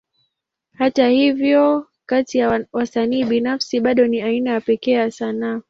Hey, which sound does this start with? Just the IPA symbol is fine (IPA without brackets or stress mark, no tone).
h